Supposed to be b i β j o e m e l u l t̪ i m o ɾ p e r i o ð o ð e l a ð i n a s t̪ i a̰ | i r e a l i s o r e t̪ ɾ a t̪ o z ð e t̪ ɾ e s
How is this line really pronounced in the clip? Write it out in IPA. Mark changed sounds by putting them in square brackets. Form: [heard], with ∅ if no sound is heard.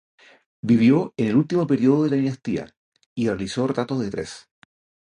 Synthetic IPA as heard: b i β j o e [n] e l u l t̪ i m o [∅] p e [ɾ] i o ð o ð e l a ð i n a s t̪ i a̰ | i r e a l i s o r e t̪ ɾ a t̪ o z ð e t̪ ɾ e s